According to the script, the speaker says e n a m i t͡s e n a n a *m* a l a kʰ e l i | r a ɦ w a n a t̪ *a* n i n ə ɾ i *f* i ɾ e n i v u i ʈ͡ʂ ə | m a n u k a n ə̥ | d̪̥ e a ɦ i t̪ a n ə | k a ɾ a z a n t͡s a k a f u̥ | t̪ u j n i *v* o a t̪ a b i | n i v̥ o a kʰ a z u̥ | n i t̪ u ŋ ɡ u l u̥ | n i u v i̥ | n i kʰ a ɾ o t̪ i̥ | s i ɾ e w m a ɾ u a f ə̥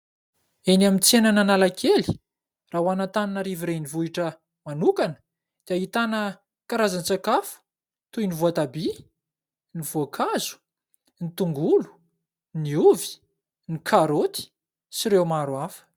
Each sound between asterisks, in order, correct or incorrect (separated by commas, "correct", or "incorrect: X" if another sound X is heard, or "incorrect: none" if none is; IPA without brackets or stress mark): incorrect: n, correct, incorrect: v, correct